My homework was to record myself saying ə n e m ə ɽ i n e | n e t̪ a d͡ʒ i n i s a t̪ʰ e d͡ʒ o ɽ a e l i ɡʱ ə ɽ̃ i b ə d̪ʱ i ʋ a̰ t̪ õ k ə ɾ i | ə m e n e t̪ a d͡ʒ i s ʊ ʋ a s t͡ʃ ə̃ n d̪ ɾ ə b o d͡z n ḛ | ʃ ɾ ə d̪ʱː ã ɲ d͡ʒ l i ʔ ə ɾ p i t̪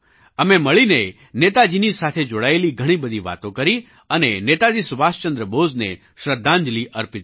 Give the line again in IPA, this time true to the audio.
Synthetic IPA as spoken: ə m e m ə ɭ i n e | n e t̪ a d͡ʒ i n i s a t̪ʰ e d͡ʒ o ɽ a e l i ɡʱ ə ɽ̃ i b ə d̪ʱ i ʋ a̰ t̪ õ k ə ɾ i | ə n e n e t̪ a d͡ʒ i s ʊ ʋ a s t͡ʃ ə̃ n d̪ ɾ ə b o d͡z n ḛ | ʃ ɾ ə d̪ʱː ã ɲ d͡ʒ l i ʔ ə ɾ p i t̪